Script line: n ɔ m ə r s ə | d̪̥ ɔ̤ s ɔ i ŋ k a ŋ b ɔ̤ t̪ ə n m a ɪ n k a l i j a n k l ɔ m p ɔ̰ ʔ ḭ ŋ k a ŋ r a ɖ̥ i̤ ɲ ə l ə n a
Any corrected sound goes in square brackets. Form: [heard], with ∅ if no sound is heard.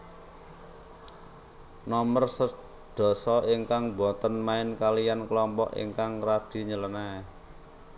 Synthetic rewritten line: n ɔ m ə r s ə | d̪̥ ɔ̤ s ɔ i ŋ k a ŋ b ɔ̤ t̪ ə n m a ɪ n k a l i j a n k l ɔ m p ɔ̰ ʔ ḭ ŋ k a ŋ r a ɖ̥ i̤ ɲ ə l ə n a